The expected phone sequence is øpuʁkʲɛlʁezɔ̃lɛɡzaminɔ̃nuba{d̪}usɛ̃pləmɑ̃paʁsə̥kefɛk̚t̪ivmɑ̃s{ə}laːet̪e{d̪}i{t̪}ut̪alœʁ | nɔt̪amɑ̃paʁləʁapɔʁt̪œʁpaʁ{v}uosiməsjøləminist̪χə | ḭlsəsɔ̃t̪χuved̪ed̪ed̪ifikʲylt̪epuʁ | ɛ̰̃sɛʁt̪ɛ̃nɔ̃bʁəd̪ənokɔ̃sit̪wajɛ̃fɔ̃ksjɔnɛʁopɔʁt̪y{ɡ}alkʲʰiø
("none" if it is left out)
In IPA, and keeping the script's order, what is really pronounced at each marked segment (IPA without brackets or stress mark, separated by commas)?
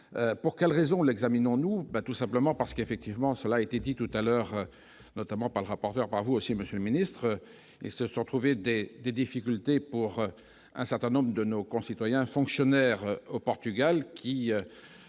t̪, ə, d̪, t̪, v, ɡ